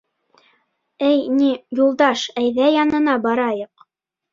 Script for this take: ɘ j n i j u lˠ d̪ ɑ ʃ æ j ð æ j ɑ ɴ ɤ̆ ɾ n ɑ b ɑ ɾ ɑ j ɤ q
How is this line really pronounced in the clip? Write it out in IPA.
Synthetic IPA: ɘ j n i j u lˠ d̪ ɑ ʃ æ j ð æ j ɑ n ɤ̆ n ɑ b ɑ ɾ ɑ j ɤ q